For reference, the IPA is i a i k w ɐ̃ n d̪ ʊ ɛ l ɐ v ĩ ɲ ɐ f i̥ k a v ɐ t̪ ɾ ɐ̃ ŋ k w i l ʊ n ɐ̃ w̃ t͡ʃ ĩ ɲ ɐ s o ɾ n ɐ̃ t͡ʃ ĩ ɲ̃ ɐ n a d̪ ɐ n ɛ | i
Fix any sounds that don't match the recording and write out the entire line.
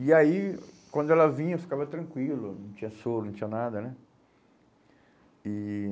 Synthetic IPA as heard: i a i k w ɐ̃ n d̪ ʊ ɛ l ɐ v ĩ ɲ ɐ f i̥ k a v ɐ t̪ ɾ ɐ̃ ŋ k w i l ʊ n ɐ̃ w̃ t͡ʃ ĩ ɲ ɐ s o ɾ n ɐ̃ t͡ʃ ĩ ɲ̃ ɐ n a d̪ ɐ n ɛ | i